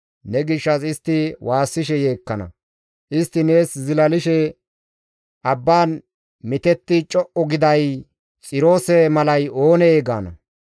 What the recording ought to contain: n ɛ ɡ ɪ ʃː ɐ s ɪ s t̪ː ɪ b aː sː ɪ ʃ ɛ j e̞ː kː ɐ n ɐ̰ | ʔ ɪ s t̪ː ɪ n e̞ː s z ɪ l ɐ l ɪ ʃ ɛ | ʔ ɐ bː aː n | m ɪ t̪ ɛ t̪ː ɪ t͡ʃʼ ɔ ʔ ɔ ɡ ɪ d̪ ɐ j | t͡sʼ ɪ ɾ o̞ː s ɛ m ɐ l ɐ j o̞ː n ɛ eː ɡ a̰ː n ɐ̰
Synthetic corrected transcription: n ɛ ɡ ɪ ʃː ɐ s ɪ s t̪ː ɪ w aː sː ɪ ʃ ɛ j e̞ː kː ɐ n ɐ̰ | ʔ ɪ s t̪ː ɪ n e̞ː s z ɪ l ɐ l ɪ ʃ ɛ | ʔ ɐ bː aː n | m ɪ t̪ ɛ t̪ː ɪ t͡ʃʼ ɔ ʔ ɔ ɡ ɪ d̪ ɐ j | t͡sʼ ɪ ɾ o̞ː s ɛ m ɐ l ɐ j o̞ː n ɛ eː ɡ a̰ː n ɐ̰